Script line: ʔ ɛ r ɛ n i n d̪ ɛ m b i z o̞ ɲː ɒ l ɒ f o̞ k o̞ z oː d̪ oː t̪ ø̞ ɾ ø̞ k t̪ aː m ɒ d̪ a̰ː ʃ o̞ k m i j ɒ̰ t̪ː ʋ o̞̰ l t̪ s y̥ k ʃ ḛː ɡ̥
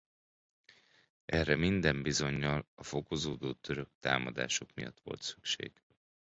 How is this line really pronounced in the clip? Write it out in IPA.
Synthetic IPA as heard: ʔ ɛ r ɛ m i n d̪ ɛ m b i z o̞ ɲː ɒ l ɒ f o̞ k o̞ z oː d̪ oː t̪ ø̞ ɾ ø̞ k t̪ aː m ɒ d̪ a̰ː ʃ o̞ k m i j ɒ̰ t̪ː ʋ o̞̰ l t̪ s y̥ k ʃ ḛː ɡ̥